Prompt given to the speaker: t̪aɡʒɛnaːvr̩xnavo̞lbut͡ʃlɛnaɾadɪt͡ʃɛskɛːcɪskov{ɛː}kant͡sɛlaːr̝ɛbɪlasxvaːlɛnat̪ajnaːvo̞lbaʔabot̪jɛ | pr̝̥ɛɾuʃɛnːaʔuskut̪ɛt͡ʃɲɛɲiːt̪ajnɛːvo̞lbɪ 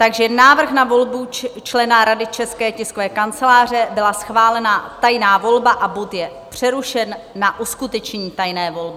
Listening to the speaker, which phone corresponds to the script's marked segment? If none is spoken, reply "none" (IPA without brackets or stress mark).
ɛː